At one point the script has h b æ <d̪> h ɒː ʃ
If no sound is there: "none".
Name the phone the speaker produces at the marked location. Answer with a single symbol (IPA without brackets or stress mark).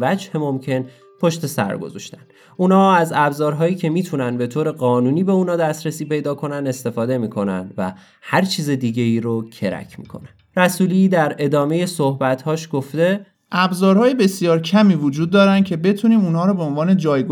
t̪